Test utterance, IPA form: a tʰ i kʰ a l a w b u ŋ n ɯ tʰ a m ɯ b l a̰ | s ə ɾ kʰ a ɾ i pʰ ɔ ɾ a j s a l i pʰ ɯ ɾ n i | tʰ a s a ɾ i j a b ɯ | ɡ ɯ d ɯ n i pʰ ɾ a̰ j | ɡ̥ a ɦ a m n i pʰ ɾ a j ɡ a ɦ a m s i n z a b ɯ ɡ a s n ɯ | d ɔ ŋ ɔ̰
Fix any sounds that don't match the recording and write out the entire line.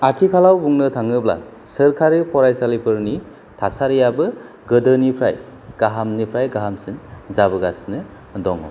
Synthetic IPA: a tʰ i kʰ a l a w b u ŋ n ɯ tʰ a ŋ ɯ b l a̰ | s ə ɾ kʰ a ɾ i pʰ ɔ ɾ a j s a l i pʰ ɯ ɾ n i | tʰ a s a ɾ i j a b ɯ | ɡ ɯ d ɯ n i pʰ ɾ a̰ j | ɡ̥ a ɦ a m n i pʰ ɾ a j ɡ a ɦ a m s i n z a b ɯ ɡ a s n ɯ | d ɔ ŋ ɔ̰